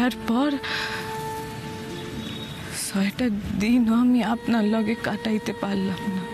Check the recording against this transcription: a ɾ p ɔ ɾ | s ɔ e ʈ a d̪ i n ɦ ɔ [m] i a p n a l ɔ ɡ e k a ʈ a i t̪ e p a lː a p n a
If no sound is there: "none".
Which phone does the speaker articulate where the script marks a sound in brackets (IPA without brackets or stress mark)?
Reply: m